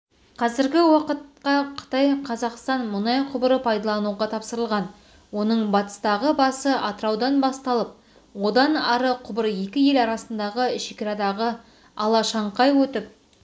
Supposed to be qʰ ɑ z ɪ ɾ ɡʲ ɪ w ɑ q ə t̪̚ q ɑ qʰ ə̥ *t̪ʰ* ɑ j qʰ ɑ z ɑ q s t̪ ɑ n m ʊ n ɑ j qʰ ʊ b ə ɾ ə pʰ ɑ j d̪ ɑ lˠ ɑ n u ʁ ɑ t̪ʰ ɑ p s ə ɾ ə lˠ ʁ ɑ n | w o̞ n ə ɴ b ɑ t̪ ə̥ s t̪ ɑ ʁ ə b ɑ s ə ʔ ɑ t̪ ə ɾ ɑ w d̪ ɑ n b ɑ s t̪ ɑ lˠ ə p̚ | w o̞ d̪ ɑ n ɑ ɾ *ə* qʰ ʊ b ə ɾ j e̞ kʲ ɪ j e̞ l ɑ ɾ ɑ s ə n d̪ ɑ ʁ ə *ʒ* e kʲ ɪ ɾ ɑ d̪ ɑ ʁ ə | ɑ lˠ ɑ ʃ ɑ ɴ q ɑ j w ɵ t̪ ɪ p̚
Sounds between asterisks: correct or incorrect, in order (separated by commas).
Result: incorrect, correct, incorrect